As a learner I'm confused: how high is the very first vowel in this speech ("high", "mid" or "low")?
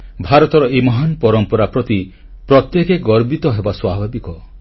low